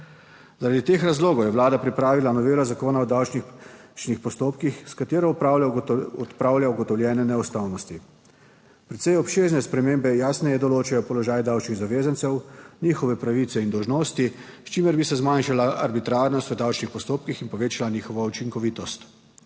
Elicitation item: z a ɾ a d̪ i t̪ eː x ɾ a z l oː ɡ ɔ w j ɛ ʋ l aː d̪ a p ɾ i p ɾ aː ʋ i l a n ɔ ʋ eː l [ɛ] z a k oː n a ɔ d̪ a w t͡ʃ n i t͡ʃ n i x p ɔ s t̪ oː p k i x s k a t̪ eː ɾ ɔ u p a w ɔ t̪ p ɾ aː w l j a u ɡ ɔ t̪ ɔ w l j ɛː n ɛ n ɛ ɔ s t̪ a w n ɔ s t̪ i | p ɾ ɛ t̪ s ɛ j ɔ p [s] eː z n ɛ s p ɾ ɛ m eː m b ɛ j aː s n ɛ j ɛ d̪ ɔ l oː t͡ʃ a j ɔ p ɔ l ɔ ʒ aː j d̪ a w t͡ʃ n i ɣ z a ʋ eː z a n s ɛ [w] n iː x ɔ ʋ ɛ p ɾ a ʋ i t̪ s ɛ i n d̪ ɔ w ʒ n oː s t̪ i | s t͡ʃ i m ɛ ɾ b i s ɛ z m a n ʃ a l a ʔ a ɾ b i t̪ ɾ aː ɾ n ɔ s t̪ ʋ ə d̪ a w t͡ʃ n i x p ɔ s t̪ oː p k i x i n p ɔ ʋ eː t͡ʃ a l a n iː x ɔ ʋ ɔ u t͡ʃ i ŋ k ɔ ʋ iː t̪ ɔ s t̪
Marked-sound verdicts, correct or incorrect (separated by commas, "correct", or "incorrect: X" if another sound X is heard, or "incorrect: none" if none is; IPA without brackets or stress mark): incorrect: a, incorrect: ʃ, correct